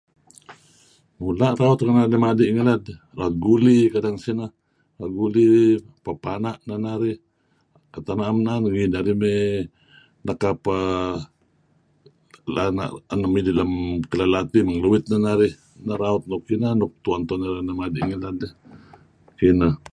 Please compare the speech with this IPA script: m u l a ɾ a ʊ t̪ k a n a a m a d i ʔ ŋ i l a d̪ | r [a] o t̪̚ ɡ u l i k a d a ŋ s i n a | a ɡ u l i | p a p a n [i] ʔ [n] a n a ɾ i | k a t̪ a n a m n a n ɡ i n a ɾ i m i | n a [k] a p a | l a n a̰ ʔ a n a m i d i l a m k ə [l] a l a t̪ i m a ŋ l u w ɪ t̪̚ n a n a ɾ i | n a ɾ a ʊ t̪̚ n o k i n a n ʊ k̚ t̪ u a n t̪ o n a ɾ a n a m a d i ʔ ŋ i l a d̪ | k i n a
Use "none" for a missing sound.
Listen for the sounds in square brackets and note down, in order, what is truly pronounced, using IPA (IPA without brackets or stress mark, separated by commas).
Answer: a, a, n, k, l